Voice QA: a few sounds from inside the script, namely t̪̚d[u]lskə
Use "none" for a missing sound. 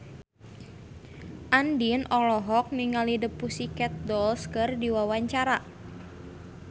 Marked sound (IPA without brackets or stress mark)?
ɔ